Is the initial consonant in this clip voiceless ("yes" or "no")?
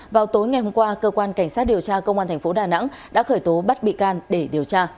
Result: no